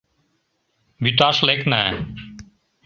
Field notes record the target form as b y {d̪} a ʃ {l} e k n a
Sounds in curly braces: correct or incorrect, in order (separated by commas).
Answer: incorrect, correct